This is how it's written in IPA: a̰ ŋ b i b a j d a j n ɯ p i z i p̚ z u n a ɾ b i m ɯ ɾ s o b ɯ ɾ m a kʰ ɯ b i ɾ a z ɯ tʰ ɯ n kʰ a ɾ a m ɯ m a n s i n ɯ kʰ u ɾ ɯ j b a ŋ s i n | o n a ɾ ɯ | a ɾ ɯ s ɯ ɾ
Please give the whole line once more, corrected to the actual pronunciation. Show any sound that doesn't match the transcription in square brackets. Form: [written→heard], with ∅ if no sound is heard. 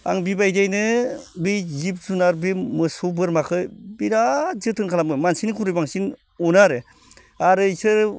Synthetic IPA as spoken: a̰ ŋ b i b a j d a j n ɯ [p→b] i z i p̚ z u n a ɾ b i m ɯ [ɾ→∅] s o b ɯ ɾ m a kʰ ɯ b i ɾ a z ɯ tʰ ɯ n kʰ a [ɾ→l] a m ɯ m a n s i n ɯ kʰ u ɾ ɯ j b a ŋ s i n | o n a ɾ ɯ | a ɾ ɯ s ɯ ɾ

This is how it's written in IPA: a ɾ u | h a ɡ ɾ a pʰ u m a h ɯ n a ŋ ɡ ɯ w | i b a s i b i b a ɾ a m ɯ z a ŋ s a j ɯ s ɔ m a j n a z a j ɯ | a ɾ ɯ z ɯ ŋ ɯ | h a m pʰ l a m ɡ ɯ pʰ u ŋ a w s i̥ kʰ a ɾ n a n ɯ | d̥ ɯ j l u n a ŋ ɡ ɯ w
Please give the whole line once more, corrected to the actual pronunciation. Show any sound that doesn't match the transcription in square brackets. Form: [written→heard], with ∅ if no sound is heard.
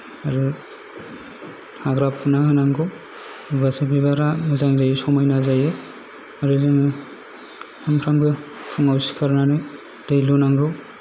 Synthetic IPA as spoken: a ɾ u | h a ɡ ɾ a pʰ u [m→n] a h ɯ n a ŋ ɡ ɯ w | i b a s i b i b a ɾ a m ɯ z a ŋ [s→z] a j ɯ s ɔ m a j n a z a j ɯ | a ɾ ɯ z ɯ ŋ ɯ | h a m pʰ [l→ɾ] a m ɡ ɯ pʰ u ŋ a w s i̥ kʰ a ɾ n a n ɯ | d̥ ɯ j l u n a ŋ ɡ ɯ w

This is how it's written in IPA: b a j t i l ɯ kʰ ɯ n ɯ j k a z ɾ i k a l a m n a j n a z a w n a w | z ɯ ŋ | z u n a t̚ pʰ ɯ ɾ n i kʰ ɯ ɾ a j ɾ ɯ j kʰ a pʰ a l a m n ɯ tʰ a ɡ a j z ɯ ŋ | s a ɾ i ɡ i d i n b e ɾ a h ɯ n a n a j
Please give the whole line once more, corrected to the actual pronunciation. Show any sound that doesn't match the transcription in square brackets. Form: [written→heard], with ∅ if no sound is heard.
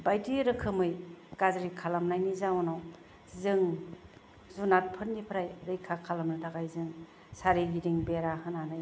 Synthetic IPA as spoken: b a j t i [l→ɾ] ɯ kʰ ɯ [n→m] ɯ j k a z ɾ i [k→kʰ] a l a m n a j n [a→i] z a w n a w | z ɯ ŋ | z u n a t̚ pʰ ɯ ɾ n i [kʰ→pʰ] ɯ ɾ a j ɾ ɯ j kʰ a [pʰ→kʰ] a l a m n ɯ tʰ a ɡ a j z ɯ ŋ | s a ɾ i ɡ i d i [n→ŋ] b e ɾ a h ɯ n a n a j

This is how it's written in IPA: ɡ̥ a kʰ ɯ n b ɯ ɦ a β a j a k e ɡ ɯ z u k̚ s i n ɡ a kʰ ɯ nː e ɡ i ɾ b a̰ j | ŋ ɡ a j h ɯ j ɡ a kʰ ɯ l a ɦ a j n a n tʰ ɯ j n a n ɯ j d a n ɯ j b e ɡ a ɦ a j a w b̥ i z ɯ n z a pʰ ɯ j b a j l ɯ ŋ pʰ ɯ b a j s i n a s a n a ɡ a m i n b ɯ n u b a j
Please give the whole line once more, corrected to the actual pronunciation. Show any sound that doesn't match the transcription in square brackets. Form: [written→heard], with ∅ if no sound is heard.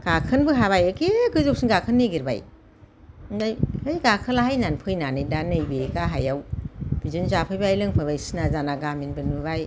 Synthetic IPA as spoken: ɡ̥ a kʰ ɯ n b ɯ ɦ a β a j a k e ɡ ɯ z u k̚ s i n ɡ a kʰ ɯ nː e ɡ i ɾ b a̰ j | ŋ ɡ a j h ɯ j ɡ a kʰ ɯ l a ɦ a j n a n [tʰ→pʰ] ɯ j n a n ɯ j d a n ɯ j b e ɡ a ɦ a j a w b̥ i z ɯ n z a pʰ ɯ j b a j l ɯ ŋ pʰ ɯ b a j s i n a [s→z] a n a ɡ a m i n b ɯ n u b a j

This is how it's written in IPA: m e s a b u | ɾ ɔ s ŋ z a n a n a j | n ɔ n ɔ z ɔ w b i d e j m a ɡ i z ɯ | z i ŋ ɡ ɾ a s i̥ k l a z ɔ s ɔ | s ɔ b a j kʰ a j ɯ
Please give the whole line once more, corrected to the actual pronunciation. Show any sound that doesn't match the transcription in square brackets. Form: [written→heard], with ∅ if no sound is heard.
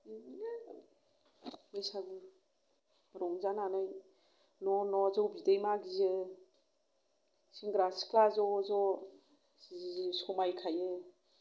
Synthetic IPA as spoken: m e s a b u | ɾ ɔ [s→∅] ŋ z a n a n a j | n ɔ n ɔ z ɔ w b i d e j m a ɡ i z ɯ | [z→s] i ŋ ɡ ɾ a s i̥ k l a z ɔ [s→z] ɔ | s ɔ [b→m] a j kʰ a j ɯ

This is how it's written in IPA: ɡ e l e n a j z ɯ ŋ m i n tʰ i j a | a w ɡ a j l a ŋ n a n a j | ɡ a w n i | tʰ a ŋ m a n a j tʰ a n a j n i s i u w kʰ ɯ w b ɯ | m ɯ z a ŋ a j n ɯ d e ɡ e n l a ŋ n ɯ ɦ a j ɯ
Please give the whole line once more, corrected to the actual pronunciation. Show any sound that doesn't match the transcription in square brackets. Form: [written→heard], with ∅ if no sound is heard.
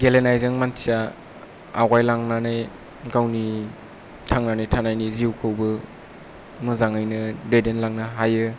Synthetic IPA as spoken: ɡ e l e n a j z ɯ ŋ m [i→a] n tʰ i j a | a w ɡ a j l a ŋ n a n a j | ɡ a w n i | tʰ a ŋ [m→n] a n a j tʰ a n a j n i [s→z] i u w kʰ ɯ w b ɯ | m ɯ z a ŋ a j n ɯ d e [ɡ→d] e n l a ŋ n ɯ ɦ a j ɯ

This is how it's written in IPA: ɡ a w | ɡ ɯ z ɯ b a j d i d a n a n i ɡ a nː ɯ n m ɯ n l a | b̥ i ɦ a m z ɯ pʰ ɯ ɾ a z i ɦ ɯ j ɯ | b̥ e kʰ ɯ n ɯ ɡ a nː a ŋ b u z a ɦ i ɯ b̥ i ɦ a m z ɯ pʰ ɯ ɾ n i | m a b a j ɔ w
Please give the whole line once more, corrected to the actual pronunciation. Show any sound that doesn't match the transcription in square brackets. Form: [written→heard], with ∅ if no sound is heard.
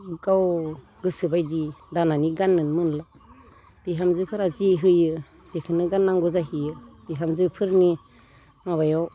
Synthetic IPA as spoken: ɡ a w | ɡ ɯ [z→s] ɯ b a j d i d a n a n i ɡ a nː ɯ n m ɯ n l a | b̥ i ɦ a m z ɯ pʰ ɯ ɾ a z i ɦ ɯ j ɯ | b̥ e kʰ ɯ n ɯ ɡ a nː a ŋ [b→ɡ] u z a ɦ i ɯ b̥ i ɦ a m z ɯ pʰ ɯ ɾ n i | m a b a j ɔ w

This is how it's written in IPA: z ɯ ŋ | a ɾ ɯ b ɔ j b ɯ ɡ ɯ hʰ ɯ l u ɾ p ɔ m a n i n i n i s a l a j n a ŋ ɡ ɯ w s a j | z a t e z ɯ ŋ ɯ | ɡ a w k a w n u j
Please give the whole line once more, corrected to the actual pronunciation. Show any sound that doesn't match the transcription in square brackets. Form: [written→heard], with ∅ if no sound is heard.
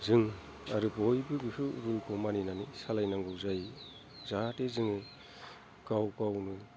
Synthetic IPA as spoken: z ɯ ŋ | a ɾ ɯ b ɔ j b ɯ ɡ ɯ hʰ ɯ [l→ɾ] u [ɾ→l] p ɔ m a n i n [i→a] n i s a l a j n a ŋ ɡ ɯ w [s→z] a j | z a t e z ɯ ŋ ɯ | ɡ a w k a w n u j

